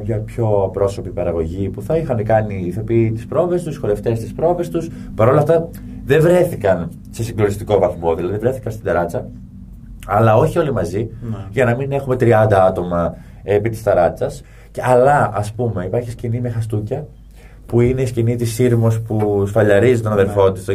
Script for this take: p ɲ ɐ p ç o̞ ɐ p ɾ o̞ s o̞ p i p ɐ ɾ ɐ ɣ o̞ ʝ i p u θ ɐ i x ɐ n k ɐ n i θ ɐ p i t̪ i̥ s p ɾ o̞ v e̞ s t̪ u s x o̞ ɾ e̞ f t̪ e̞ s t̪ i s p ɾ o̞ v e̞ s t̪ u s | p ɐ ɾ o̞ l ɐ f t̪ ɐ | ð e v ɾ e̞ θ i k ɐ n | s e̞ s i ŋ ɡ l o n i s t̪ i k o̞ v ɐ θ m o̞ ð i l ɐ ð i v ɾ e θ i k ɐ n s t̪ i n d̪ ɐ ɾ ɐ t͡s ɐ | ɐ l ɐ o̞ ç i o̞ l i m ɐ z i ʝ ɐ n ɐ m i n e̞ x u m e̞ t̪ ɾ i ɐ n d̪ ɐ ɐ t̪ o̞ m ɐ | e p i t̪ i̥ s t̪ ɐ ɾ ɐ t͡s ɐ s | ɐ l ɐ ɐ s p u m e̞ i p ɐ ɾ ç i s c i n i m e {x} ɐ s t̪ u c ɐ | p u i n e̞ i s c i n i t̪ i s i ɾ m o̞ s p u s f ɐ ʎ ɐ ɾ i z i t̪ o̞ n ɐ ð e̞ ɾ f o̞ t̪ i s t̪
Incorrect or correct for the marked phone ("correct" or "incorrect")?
correct